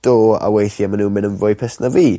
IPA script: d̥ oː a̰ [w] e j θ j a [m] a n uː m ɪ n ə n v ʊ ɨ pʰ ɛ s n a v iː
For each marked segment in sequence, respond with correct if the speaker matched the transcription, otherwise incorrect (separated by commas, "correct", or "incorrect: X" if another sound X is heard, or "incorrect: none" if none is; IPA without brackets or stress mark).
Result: correct, correct